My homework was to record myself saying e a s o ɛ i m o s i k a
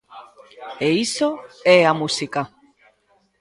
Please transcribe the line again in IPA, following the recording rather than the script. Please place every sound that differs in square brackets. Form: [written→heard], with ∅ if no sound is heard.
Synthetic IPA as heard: e [a→i] s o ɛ [i→a] m [o→u] s i k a